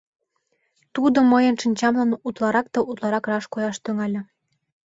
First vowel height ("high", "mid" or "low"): high